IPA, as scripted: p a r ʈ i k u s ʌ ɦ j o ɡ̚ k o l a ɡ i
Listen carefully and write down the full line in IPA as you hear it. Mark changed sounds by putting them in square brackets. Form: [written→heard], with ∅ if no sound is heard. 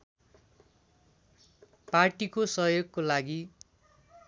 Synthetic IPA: p a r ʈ i k [u→o] s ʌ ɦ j o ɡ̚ k o l a ɡ i

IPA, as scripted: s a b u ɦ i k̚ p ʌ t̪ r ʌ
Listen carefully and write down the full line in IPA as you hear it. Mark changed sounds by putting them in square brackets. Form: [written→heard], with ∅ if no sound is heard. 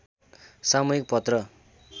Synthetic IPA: s a [b→m] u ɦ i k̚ p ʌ t̪ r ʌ

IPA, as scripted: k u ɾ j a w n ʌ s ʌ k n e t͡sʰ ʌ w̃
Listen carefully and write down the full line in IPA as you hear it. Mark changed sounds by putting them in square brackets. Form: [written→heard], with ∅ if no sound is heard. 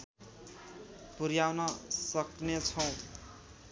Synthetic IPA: [k→p] u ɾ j a w n ʌ s ʌ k n e t͡sʰ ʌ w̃

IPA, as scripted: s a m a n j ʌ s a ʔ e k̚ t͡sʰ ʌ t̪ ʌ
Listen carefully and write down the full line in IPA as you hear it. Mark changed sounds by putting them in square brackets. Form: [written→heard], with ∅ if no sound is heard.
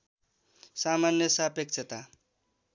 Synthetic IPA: s a m a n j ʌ s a [ʔ→p] e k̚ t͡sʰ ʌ t̪ [ʌ→a]

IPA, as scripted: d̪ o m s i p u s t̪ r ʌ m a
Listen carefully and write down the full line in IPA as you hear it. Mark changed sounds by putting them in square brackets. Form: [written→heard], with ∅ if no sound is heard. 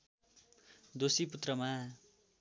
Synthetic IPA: d̪ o [m→∅] s i p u [s→∅] t̪ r ʌ m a

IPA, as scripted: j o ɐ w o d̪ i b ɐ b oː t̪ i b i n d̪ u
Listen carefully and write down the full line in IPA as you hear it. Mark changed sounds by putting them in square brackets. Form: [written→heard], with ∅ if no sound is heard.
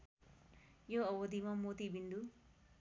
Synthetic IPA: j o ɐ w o d̪ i [b→m] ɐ [b→m] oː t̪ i b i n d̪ u

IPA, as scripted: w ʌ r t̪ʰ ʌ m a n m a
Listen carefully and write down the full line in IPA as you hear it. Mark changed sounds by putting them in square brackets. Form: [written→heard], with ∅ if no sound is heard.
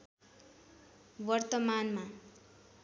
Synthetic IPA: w ʌ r [t̪ʰ→t̪] ʌ m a n m a

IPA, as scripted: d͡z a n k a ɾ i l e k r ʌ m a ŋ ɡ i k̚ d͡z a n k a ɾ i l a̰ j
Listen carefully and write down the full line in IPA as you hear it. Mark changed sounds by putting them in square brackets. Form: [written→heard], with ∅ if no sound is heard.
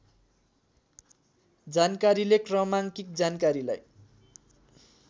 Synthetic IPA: d͡z a n k a ɾ i l e k r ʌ m a ŋ [ɡ→k] i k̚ d͡z a n k a ɾ i l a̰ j

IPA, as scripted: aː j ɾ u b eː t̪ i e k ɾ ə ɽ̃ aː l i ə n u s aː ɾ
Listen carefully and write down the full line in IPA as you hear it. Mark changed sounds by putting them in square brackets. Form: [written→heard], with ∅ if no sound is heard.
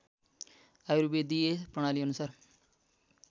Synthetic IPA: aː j ɾ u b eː [t̪→d̪] i e [k→p] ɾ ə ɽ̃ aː l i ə n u s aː ɾ

